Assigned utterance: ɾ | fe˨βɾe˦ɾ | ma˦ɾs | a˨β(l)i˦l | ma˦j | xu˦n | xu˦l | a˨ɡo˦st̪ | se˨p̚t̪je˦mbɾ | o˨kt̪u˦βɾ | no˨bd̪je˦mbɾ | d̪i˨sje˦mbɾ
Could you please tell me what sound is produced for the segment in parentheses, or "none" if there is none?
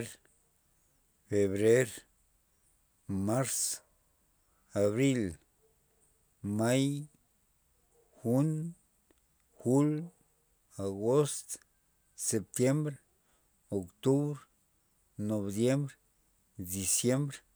ɾ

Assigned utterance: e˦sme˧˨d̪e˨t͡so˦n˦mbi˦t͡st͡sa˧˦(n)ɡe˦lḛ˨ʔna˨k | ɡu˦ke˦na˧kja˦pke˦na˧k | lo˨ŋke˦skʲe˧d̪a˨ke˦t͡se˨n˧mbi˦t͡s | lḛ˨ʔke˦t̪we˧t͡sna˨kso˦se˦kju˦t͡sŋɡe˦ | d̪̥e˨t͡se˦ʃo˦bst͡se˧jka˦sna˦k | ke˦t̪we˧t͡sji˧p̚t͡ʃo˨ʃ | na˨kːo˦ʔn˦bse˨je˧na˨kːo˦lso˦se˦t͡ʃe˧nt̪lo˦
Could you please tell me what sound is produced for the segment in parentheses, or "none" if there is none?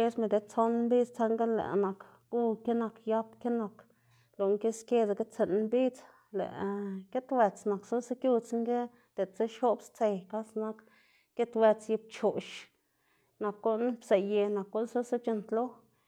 ŋ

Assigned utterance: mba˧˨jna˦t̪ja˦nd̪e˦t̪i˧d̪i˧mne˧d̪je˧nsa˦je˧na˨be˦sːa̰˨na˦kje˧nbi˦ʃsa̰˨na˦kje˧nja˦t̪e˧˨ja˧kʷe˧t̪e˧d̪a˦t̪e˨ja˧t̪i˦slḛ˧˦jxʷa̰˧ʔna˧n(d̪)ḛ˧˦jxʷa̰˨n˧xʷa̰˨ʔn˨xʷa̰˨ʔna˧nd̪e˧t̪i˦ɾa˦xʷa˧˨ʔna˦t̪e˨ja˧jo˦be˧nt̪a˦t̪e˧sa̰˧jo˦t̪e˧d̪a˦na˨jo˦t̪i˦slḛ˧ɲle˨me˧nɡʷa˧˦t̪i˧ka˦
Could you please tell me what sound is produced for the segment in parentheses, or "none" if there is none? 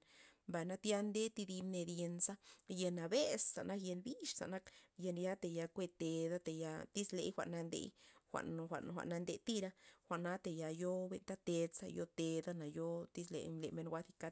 d̪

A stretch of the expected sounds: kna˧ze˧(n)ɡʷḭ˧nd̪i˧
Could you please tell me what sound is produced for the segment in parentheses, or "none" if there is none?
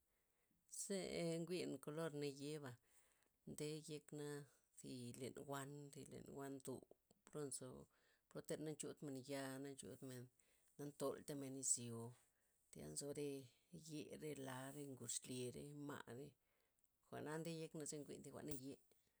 ŋ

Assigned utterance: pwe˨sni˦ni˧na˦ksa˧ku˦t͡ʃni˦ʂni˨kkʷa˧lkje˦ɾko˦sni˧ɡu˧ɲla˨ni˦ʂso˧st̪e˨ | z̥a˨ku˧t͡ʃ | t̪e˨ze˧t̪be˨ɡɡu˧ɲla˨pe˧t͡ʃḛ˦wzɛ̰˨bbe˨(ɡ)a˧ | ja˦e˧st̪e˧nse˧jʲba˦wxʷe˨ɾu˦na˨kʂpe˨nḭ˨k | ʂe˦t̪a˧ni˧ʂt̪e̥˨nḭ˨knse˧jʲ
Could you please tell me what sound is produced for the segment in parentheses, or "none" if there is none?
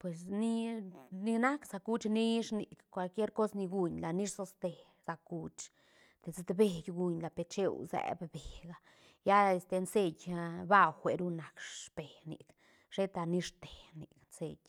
ɡ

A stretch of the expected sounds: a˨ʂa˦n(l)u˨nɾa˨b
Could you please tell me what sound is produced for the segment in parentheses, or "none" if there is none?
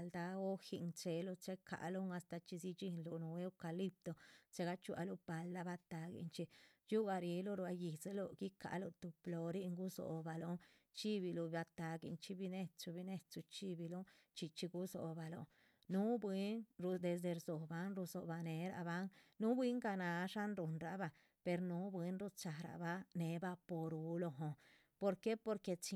ɾ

